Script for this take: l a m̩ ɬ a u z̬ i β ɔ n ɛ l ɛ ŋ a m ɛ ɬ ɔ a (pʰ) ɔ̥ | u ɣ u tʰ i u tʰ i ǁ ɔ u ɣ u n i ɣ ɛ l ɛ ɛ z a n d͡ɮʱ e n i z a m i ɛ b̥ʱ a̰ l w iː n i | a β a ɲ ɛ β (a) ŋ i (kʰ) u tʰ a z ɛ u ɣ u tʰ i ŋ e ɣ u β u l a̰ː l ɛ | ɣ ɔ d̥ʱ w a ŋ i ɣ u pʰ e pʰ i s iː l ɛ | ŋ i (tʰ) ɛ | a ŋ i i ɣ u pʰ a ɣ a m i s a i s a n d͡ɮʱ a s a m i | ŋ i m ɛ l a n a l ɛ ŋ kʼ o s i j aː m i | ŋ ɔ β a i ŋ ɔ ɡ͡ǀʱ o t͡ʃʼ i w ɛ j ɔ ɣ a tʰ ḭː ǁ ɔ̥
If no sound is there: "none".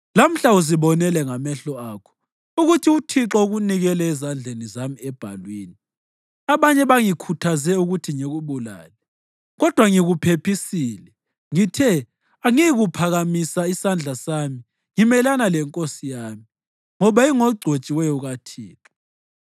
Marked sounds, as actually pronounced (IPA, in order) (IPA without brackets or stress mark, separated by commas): kʰ, a, kʰ, tʰ